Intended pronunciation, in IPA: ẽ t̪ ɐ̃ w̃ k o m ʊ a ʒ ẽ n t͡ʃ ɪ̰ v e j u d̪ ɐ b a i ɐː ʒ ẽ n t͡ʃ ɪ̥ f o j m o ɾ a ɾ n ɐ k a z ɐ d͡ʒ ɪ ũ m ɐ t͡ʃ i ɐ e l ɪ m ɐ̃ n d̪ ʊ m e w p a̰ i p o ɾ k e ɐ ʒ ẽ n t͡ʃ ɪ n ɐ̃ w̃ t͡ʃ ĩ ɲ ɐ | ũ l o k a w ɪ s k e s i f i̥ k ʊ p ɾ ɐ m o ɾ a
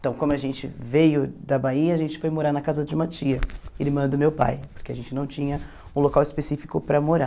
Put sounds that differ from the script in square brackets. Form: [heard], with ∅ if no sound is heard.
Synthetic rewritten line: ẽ t̪ ɐ̃ w̃ k [õ] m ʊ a ʒ ẽ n t͡ʃ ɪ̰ v e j [ʊ] d̪ ɐ b a i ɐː ʒ ẽ n t͡ʃ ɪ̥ f o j m o ɾ a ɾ n ɐ k a z ɐ d͡ʒ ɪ ũ m ɐ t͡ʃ i ɐ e l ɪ m ɐ̃ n d̪ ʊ m e w p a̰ [j] p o ɾ k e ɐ ʒ ẽ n t͡ʃ ɪ n ɐ̃ w̃ t͡ʃ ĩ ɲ ɐ | ũ l o k a w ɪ s [p] e s i f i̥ k ʊ p ɾ ɐ m o ɾ a